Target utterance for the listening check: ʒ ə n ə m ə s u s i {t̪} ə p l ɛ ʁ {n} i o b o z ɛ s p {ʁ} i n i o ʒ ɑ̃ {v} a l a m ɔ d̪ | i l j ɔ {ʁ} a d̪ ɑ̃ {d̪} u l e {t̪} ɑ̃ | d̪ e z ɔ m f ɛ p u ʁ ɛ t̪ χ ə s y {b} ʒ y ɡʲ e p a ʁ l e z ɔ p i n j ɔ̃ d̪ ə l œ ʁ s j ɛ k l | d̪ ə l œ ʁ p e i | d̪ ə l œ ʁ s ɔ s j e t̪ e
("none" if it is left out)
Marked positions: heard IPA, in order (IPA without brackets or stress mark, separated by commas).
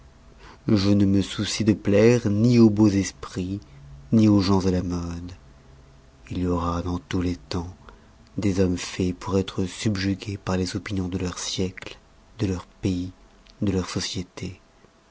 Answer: d̪, n, χ, z, ʁ, t̪, t̪, b